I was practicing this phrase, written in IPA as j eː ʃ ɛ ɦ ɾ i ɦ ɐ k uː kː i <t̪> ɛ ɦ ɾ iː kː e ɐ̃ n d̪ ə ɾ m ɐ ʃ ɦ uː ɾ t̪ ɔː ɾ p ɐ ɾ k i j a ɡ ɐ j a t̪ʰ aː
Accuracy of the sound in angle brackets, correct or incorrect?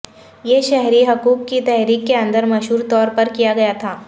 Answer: correct